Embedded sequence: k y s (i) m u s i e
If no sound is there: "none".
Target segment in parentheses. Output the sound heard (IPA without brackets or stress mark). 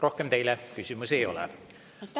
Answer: y